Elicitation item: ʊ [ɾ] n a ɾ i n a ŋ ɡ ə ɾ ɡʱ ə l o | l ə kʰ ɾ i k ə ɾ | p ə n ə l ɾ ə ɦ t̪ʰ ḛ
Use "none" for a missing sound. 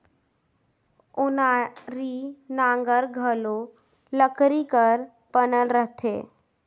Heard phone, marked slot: none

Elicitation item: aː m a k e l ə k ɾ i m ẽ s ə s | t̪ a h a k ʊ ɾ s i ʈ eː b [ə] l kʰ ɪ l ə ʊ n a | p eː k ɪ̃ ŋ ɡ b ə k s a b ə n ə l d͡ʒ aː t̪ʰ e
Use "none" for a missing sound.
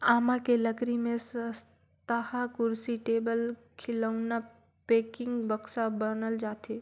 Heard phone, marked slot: ə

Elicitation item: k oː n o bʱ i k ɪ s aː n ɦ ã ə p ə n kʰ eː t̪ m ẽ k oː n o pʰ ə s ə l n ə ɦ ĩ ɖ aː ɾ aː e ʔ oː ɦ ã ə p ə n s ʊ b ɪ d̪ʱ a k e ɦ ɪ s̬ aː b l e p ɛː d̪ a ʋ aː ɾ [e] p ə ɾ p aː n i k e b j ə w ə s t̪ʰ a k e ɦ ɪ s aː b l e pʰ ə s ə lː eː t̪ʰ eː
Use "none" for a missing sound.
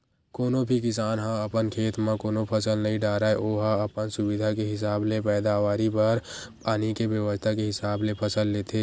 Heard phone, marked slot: i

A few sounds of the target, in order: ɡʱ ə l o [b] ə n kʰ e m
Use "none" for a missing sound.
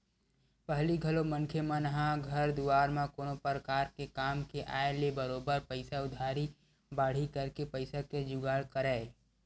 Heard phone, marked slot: m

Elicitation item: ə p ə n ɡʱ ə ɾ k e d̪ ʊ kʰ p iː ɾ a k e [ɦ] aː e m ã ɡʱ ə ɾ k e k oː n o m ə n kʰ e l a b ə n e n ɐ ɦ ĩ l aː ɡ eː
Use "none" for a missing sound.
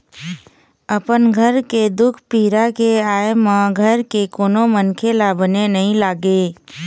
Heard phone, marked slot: none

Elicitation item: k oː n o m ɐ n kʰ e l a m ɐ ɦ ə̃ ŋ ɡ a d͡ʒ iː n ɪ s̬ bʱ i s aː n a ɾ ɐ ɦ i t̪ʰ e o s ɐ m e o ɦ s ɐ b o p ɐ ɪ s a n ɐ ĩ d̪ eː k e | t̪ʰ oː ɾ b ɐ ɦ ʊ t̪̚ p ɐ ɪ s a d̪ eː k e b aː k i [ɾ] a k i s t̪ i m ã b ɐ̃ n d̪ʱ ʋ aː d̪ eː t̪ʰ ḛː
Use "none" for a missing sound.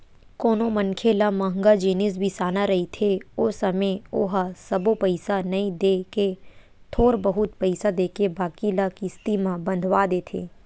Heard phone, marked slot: l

